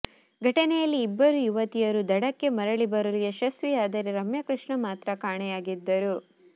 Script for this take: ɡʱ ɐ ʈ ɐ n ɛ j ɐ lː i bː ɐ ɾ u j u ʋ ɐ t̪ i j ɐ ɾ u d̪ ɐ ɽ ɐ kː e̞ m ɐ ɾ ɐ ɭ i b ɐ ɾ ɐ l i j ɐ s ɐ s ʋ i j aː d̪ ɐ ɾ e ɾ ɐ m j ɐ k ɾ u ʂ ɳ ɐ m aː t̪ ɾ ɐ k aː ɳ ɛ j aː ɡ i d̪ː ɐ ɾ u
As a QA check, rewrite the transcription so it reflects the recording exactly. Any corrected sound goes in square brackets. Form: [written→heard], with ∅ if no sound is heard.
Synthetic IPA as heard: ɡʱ ɐ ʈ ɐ n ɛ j ɐ lː [i→iː] bː ɐ ɾ u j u ʋ ɐ t̪ i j ɐ ɾ u d̪ ɐ ɽ ɐ kː e̞ m ɐ ɾ ɐ ɭ i b ɐ ɾ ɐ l i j ɐ [s→ʃ] ɐ s ʋ i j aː d̪ ɐ ɾ e ɾ ɐ m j ɐ k ɾ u ʂ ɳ ɐ m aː t̪ ɾ ɐ k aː ɳ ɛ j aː ɡ i d̪ː ɐ ɾ u

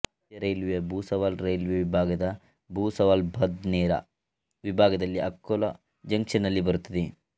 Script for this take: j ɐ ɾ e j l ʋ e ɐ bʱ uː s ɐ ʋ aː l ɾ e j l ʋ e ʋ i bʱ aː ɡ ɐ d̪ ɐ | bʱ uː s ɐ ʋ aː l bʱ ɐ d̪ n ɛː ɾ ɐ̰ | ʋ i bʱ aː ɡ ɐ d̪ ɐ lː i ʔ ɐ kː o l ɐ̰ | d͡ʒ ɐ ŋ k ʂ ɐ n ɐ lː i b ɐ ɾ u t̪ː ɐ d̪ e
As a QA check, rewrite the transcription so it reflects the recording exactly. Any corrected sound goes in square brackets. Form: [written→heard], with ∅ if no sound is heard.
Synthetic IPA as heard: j ɐ ɾ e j l ʋ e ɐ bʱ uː s ɐ ʋ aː l ɾ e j l ʋ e ʋ i bʱ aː ɡ ɐ d̪ ɐ | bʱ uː s ɐ ʋ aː l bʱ ɐ d̪ n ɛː ɾ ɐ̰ | ʋ i bʱ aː ɡ ɐ d̪ ɐ lː i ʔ ɐ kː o l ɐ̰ | d͡ʒ ɐ ŋ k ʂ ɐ n ɐ lː i b ɐ ɾ u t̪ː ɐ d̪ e

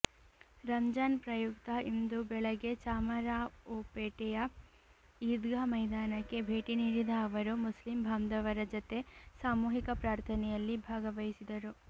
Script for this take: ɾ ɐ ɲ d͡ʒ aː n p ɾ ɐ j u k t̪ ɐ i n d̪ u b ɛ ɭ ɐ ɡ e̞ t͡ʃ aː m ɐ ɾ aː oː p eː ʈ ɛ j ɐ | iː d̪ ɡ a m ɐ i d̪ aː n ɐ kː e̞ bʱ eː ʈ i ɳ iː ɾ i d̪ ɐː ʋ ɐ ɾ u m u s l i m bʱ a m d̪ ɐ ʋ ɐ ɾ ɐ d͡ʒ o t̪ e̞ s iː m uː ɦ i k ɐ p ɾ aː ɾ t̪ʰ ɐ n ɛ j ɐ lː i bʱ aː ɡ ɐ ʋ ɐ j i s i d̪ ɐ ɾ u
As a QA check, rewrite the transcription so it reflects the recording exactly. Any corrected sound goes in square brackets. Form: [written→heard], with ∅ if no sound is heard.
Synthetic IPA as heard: ɾ ɐ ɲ d͡ʒ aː n p ɾ ɐ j u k t̪ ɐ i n d̪ u b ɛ ɭ ɐ ɡ e̞ t͡ʃ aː m ɐ ɾ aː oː p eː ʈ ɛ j ɐ | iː d̪ ɡ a m ɐ [i→j] d̪ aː n ɐ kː e̞ bʱ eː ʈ i [ɳ→n] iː ɾ i d̪ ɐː ʋ ɐ ɾ u m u s l i m bʱ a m d̪ ɐ ʋ ɐ ɾ ɐ d͡ʒ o t̪ e̞ s [iː→aː] m uː ɦ i k ɐ p ɾ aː ɾ t̪ʰ ɐ n ɛ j ɐ lː i bʱ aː ɡ ɐ ʋ ɐ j i s i d̪ ɐ ɾ u

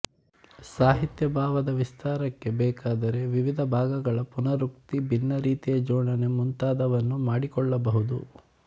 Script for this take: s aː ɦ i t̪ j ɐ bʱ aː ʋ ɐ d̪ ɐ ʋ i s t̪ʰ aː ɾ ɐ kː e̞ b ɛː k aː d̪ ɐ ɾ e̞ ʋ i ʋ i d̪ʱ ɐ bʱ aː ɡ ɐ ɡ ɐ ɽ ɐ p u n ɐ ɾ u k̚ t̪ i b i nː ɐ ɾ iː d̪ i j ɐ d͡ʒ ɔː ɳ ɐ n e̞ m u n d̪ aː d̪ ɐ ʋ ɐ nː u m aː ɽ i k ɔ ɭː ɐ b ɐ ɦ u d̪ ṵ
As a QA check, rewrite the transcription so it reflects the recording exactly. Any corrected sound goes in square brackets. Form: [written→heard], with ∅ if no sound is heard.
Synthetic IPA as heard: s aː ɦ i t̪ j ɐ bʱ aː ʋ ɐ d̪ ɐ ʋ i s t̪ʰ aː ɾ ɐ kː e̞ b ɛː k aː d̪ ɐ ɾ e̞ ʋ i ʋ i d̪ʱ ɐ bʱ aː ɡ ɐ ɡ ɐ [ɽ→ɭ] ɐ p u n ɐ ɾ u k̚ t̪ i b i nː ɐ ɾ iː [d̪→t̪] i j ɐ d͡ʒ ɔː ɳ ɐ n e̞ m u n [d̪→t̪] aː d̪ ɐ ʋ ɐ nː u m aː ɽ i k ɔ ɭː ɐ b ɐ ɦ u d̪ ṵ

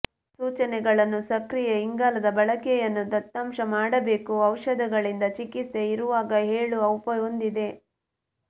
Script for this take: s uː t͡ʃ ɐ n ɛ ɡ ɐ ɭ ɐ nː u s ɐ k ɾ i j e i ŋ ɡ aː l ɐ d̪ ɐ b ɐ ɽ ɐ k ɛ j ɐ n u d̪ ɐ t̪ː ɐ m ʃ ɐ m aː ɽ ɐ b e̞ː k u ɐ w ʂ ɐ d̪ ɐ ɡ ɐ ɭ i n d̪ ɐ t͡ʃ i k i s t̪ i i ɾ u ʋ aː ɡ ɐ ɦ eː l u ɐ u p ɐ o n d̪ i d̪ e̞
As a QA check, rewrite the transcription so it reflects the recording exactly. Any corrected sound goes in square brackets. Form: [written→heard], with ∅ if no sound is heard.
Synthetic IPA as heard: s uː t͡ʃ ɐ n ɛ ɡ ɐ ɭ ɐ nː u s ɐ k ɾ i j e i ŋ ɡ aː l ɐ d̪ ɐ b ɐ [ɽ→ɭ] ɐ k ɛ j ɐ [n→nː] u d̪ ɐ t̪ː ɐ m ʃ ɐ m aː ɽ ɐ b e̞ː k u ɐ w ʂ ɐ d̪ ɐ ɡ ɐ ɭ i n d̪ ɐ t͡ʃ i k i s t̪ [i→e] i ɾ u ʋ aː ɡ ɐ ɦ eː [l→ɭ] u ɐ [u→w] p ɐ o n d̪ i d̪ e̞

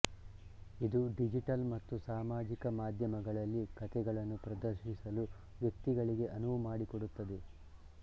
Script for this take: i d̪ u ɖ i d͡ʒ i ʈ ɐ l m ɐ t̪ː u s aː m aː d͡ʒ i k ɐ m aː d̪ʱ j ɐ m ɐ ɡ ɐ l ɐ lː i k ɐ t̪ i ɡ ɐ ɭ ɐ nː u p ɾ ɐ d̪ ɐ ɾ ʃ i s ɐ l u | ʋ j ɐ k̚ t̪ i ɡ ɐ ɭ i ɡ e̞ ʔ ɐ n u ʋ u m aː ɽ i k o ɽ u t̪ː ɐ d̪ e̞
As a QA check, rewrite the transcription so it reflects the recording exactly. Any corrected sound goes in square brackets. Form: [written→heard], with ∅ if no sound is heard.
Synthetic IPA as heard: i d̪ u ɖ i d͡ʒ i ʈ ɐ l m ɐ t̪ː u s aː m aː d͡ʒ i k ɐ m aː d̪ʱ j ɐ m ɐ ɡ ɐ [l→ɭ] ɐ lː i k ɐ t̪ [i→ɛ] ɡ ɐ ɭ ɐ nː u p ɾ ɐ d̪ ɐ ɾ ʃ i s ɐ l u | ʋ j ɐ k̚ t̪ i ɡ ɐ ɭ i ɡ e̞ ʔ ɐ n u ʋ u m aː ɽ i k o ɽ u t̪ː ɐ d̪ e̞

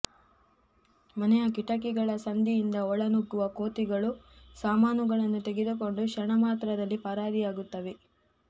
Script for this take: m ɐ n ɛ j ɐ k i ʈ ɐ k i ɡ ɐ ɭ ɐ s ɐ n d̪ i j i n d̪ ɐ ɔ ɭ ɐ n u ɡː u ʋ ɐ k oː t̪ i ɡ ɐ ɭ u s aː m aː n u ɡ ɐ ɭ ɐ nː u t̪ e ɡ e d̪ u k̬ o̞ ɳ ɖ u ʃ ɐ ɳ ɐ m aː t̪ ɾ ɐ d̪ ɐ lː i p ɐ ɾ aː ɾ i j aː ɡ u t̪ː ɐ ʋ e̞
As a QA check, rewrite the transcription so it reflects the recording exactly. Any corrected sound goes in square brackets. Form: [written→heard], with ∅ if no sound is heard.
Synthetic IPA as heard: m ɐ n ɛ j ɐ k i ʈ ɐ k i ɡ ɐ ɭ ɐ s ɐ n d̪ i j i n d̪ ɐ ɔ ɭ ɐ n u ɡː u ʋ ɐ k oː t̪ i ɡ ɐ ɭ u s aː m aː n u ɡ ɐ ɭ ɐ nː u t̪ e ɡ e d̪ u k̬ o̞ ɳ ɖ u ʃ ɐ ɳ ɐ m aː t̪ ɾ ɐ d̪ ɐ lː i p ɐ ɾ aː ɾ i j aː ɡ u t̪ː ɐ ʋ e̞

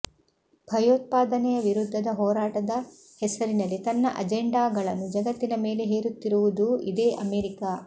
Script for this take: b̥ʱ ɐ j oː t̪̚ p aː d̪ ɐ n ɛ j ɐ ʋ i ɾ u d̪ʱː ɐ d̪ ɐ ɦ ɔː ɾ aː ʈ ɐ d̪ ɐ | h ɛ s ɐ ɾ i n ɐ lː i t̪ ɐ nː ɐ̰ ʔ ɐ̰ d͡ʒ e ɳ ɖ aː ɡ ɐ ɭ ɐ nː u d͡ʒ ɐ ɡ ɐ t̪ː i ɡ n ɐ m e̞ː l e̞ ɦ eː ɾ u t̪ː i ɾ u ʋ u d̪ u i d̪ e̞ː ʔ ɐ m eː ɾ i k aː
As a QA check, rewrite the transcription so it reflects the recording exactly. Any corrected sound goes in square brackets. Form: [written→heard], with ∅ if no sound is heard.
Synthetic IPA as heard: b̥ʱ ɐ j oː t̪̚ p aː d̪ ɐ n ɛ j ɐ ʋ i ɾ u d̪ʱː ɐ d̪ ɐ ɦ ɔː ɾ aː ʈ ɐ d̪ ɐ | h ɛ s ɐ ɾ i n ɐ lː i t̪ ɐ nː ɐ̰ ʔ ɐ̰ d͡ʒ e ɳ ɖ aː ɡ ɐ ɭ ɐ nː u d͡ʒ ɐ ɡ ɐ t̪ː i [ɡ→∅] n ɐ m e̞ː l e̞ ɦ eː ɾ u t̪ː i ɾ u ʋ u d̪ u i d̪ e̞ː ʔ ɐ m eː ɾ i k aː

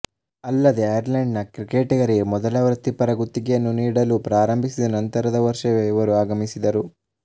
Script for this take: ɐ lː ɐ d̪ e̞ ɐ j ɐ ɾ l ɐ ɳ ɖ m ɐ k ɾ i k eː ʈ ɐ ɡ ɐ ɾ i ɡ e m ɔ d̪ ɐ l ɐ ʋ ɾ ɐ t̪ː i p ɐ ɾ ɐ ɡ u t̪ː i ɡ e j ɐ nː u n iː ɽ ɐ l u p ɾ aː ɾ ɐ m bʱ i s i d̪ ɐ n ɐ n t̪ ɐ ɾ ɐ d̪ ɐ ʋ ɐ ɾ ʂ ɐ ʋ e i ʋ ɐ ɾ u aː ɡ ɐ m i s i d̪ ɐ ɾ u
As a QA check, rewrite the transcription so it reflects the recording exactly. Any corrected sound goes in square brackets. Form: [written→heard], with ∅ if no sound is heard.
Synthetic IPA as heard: ɐ lː ɐ d̪ e̞ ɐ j ɐ ɾ l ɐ ɳ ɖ [m→n] ɐ k ɾ i k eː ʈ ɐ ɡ ɐ ɾ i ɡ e m ɔ d̪ ɐ l ɐ ʋ ɾ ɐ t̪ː i p ɐ ɾ ɐ ɡ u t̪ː i ɡ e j ɐ nː u n iː ɽ ɐ l u p ɾ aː ɾ ɐ m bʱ i s i d̪ ɐ n ɐ n t̪ ɐ ɾ ɐ d̪ ɐ ʋ ɐ ɾ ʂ ɐ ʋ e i ʋ ɐ ɾ u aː ɡ ɐ m i s i d̪ ɐ ɾ u

